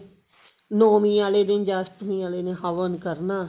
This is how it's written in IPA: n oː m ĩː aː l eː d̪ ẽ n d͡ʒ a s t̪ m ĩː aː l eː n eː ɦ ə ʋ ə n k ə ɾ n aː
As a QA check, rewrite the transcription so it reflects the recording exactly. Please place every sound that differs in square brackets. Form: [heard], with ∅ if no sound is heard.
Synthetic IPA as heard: n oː m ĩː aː l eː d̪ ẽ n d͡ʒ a s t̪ m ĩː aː l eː n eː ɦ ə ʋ ə n k ə ɾ n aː